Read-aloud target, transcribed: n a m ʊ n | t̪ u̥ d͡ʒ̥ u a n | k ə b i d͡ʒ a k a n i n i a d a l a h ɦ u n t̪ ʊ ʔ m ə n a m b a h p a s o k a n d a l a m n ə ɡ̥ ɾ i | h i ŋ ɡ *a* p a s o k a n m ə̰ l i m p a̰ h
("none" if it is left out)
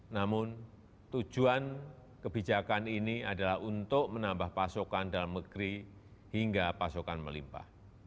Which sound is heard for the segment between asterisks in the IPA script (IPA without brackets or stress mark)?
a